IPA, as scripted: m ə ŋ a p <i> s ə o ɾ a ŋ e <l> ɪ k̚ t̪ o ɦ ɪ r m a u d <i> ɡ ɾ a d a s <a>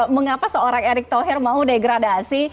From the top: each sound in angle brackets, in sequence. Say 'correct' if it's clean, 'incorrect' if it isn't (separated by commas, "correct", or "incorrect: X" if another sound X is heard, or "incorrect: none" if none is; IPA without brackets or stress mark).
incorrect: a, incorrect: ɾ, incorrect: e, incorrect: i